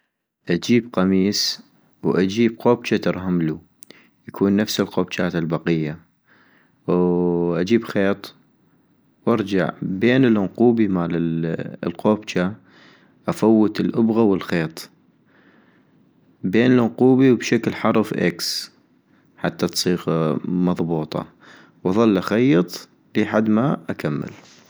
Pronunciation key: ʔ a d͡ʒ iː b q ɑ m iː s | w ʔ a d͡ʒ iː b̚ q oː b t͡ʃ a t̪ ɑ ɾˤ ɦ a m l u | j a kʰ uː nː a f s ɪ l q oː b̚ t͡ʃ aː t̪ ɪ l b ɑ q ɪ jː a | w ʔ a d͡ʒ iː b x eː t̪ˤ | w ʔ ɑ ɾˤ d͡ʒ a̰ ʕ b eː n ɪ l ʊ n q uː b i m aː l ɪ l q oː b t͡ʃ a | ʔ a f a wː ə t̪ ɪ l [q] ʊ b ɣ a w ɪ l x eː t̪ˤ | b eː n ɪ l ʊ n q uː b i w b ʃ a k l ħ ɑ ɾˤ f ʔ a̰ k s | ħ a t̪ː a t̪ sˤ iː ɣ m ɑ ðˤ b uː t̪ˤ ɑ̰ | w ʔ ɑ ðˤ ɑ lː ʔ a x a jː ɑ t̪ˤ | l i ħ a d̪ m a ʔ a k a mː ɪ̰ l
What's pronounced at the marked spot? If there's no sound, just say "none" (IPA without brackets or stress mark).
ʔ